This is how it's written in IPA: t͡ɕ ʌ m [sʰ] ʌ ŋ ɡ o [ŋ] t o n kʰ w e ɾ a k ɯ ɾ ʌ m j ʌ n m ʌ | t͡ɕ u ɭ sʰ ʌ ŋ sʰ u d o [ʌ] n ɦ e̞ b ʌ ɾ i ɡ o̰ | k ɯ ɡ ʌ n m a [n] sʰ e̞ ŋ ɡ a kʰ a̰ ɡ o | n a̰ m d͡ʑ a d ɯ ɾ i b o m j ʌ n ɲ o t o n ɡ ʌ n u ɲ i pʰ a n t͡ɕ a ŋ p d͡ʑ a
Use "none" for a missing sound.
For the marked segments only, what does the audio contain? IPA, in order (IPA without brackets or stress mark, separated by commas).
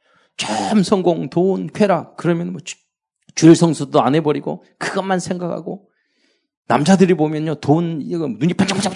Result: sʰ, ŋ, a, n